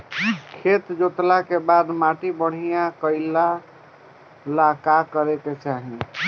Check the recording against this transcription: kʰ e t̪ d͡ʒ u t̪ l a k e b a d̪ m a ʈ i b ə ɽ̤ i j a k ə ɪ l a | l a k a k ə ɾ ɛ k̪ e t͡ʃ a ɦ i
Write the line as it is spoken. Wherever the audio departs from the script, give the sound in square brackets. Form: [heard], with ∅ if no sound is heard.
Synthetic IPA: kʰ e t̪ d͡ʒ [o] t̪ l a k e b a d̪ m a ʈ i b ə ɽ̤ i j a k ə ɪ l a | l a k a k ə ɾ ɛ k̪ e t͡ʃ a ɦ i